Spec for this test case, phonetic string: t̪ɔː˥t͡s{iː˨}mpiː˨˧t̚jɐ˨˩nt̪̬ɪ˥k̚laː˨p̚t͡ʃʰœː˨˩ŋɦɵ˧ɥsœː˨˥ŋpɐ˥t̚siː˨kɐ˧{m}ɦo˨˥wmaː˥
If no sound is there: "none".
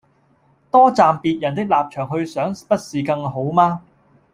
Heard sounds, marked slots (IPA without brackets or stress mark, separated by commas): aː˨, ŋ